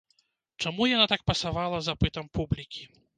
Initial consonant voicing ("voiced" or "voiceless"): voiceless